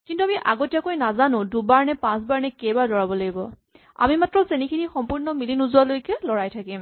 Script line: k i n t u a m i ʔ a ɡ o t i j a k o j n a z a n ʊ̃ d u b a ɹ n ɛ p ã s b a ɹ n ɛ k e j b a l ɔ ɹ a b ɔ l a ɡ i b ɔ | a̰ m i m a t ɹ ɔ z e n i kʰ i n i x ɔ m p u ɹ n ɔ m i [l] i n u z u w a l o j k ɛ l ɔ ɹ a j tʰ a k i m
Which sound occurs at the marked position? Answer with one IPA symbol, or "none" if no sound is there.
l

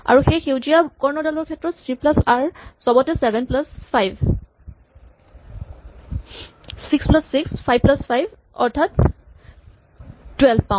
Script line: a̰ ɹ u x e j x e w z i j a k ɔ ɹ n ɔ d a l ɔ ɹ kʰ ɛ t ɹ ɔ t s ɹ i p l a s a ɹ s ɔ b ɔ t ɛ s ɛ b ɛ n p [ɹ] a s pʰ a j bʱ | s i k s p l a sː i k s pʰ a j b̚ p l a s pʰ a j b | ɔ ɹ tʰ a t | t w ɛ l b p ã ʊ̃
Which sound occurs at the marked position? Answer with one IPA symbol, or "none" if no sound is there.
l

